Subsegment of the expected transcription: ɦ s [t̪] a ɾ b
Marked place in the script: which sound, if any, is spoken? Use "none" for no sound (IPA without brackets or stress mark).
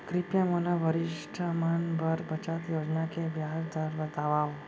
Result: d̪